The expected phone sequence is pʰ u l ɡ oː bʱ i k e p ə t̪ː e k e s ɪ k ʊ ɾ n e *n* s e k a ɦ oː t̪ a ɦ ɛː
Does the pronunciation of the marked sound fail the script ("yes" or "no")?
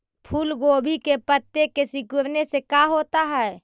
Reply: yes